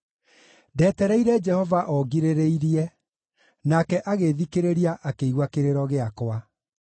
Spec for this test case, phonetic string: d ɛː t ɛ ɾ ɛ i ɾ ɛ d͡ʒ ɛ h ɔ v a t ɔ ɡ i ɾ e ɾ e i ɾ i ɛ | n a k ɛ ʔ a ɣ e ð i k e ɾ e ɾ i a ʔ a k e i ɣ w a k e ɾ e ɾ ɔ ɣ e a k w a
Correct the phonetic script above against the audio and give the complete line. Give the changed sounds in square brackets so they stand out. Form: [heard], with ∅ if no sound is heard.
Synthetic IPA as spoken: d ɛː t ɛ ɾ ɛ i ɾ ɛ d͡ʒ ɛ h ɔ v a [ʔ] ɔ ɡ i ɾ e ɾ e i ɾ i ɛ | n a k ɛ ʔ a ɣ e ð i k e ɾ e ɾ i a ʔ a k e i ɣ w a k e ɾ e ɾ ɔ ɣ e a k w a